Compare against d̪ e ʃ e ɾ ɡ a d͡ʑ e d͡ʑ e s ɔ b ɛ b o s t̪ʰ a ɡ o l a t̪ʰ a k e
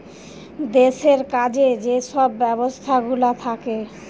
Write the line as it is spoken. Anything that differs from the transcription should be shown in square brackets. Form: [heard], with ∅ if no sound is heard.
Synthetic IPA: d̪ e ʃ e ɾ [k] a d͡ʑ e d͡ʑ e [ʃ] ɔ [bː] ɛ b o s t̪ʰ a ɡ [u] l a t̪ʰ a k e